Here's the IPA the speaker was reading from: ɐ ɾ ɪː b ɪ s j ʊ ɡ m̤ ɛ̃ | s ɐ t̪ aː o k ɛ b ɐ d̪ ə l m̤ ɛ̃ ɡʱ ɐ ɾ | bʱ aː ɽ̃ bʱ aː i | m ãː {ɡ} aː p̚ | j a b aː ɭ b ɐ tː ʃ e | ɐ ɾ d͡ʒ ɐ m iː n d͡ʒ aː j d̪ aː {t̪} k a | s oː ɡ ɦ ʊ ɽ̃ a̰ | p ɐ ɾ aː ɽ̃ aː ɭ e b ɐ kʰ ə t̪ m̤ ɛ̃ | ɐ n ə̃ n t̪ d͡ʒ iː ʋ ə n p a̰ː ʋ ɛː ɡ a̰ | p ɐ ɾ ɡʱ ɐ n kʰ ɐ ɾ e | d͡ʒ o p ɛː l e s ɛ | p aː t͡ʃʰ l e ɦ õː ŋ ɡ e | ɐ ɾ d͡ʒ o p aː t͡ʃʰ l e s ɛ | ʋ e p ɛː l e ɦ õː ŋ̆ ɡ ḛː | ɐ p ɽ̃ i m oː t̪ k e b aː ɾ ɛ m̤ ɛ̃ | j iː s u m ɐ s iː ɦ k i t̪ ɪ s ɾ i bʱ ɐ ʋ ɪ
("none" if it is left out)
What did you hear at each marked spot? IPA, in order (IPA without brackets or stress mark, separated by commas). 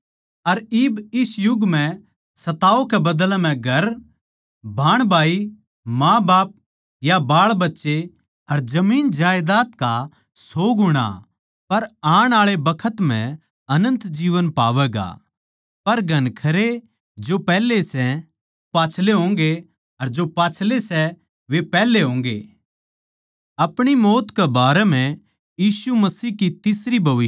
b, t̪